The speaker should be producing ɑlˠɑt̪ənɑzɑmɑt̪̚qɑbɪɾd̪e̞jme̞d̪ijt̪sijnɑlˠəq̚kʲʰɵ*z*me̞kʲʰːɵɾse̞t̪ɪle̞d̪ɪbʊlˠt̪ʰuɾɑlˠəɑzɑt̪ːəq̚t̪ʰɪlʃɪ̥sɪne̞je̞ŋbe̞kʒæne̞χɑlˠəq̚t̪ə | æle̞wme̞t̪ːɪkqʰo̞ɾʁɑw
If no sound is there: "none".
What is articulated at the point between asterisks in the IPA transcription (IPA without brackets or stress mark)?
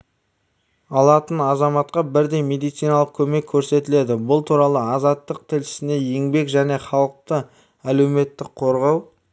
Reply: none